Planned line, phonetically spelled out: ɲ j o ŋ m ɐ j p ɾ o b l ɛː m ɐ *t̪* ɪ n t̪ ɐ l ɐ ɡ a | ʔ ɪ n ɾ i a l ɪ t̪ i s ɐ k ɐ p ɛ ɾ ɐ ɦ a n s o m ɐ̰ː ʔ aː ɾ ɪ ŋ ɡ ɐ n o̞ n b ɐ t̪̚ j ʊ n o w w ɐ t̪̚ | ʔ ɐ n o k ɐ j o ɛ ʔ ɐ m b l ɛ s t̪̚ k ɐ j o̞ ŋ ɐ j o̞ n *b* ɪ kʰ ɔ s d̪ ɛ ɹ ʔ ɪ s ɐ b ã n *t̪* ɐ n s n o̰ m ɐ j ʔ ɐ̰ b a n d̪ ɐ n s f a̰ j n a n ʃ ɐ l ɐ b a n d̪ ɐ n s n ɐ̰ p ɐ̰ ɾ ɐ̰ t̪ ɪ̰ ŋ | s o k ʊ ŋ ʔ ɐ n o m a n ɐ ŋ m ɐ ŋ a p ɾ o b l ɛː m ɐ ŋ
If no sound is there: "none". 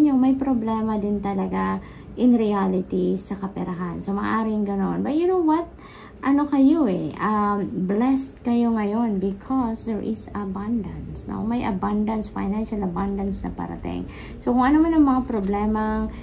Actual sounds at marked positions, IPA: d̪, b, d̪

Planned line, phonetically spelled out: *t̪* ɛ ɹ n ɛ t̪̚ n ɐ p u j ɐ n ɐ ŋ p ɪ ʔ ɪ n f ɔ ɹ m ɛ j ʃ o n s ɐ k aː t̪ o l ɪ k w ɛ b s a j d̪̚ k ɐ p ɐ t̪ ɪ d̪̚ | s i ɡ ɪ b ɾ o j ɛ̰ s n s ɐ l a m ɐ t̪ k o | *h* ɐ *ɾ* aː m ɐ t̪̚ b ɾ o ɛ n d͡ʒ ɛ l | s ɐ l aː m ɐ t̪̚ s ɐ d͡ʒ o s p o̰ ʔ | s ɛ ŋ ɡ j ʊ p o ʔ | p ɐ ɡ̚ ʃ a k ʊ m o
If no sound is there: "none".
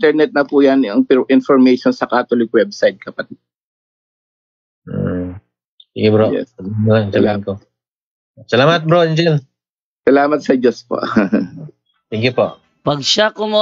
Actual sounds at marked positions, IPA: t̪, s, l

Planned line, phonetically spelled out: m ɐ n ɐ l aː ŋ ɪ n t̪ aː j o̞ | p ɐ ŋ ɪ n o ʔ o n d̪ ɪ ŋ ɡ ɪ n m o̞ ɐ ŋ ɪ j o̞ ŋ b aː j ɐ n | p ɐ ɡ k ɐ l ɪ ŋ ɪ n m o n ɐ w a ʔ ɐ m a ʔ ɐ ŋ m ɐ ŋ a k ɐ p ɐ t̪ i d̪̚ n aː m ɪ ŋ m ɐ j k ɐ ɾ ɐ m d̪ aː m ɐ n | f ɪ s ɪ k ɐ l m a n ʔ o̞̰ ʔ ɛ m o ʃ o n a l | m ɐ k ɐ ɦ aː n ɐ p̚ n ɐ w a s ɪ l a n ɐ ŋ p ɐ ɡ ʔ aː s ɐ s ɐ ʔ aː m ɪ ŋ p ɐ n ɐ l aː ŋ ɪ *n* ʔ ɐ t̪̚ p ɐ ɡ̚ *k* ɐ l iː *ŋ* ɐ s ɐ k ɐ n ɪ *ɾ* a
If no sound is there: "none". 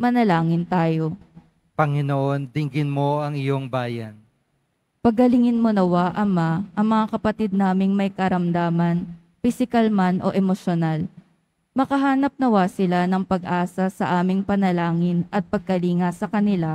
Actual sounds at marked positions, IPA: n, k, ŋ, l

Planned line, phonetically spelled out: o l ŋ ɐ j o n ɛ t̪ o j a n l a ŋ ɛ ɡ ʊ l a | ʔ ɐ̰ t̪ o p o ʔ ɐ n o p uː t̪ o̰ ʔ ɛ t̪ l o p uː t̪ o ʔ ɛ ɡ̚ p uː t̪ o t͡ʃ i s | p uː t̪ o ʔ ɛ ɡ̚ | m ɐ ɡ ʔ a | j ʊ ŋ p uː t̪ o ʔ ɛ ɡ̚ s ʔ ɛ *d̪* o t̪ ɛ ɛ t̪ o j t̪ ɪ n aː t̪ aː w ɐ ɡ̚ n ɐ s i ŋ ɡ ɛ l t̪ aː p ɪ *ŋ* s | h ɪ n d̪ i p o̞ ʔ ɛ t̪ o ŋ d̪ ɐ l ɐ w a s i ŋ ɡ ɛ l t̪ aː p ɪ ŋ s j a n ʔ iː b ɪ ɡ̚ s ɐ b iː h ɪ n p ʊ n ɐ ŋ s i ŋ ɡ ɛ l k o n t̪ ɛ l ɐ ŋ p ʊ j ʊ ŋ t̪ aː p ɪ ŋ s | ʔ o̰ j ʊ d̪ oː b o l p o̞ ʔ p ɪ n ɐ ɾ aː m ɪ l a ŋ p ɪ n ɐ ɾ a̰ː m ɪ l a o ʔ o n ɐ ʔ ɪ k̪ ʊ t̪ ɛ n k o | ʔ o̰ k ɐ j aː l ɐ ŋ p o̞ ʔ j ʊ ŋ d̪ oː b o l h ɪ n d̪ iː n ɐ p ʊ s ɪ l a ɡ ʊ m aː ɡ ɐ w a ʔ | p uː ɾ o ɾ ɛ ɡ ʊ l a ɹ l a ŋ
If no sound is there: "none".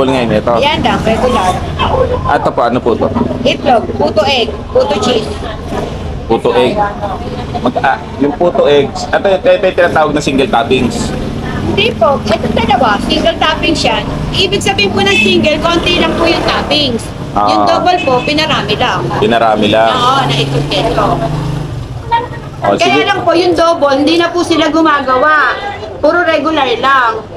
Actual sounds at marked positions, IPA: t̪, ŋ

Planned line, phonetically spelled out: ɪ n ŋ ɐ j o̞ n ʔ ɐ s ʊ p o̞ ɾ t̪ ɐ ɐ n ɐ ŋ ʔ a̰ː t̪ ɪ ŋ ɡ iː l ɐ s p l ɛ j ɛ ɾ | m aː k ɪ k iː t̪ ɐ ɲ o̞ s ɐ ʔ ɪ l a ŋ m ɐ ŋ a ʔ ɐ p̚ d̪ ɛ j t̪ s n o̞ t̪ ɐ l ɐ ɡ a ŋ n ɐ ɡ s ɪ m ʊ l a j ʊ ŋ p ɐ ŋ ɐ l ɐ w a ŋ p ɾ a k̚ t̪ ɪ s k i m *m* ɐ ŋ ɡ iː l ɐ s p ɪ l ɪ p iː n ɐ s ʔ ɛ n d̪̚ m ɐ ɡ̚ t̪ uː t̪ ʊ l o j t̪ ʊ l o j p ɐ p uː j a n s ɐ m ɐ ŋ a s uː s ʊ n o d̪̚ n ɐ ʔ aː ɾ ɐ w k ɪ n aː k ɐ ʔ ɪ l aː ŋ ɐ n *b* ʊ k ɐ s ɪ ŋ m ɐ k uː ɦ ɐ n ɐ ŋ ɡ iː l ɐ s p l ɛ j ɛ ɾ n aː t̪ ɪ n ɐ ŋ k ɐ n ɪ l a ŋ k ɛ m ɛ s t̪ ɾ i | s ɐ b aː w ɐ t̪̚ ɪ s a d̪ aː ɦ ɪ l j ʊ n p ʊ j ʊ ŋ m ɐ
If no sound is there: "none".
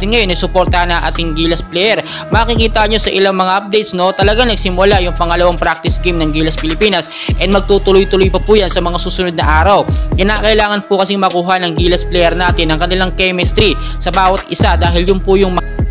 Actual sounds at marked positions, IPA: n, p

